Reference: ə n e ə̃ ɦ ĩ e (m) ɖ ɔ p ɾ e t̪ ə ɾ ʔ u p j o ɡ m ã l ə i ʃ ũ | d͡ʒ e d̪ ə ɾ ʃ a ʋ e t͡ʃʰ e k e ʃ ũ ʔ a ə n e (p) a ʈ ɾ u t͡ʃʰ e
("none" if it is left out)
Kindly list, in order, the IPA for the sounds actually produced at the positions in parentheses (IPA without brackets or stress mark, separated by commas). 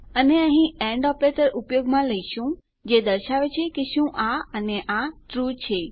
ɳ, ʔ